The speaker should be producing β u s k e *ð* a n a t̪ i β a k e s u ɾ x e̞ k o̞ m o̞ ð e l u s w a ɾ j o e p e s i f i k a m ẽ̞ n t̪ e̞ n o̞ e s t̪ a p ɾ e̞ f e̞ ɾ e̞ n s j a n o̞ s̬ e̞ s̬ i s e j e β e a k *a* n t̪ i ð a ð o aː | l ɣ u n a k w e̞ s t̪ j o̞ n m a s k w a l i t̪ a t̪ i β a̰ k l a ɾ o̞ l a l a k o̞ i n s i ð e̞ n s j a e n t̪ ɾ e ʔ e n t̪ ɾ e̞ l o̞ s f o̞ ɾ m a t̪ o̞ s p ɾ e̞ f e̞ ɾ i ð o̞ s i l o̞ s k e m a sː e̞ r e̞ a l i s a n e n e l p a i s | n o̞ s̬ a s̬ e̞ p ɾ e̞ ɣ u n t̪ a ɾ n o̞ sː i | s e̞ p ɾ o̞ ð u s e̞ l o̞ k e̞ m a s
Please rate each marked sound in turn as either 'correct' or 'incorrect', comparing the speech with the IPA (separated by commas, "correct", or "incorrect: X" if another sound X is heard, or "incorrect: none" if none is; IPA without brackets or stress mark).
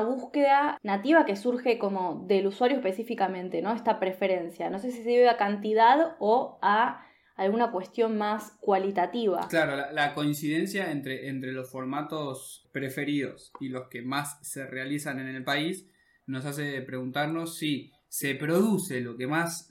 correct, correct